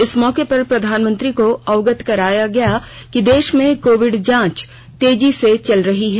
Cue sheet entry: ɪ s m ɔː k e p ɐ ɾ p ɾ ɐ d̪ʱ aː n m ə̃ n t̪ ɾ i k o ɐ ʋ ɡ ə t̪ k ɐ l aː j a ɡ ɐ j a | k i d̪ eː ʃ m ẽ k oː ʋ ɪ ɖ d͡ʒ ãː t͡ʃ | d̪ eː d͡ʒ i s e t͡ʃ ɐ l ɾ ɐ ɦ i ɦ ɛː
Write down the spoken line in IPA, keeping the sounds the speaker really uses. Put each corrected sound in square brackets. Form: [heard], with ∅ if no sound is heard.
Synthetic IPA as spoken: ɪ s m ɔː k e p ɐ ɾ p ɾ ɐ d̪ʱ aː n m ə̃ n t̪ ɾ i k o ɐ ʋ ɡ ə t̪ k ɐ [ɾ] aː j a ɡ ɐ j a | k i d̪ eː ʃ m ẽ k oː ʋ ɪ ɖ d͡ʒ ãː t͡ʃ | [t̪] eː d͡ʒ i s e t͡ʃ ɐ l ɾ ɐ ɦ i ɦ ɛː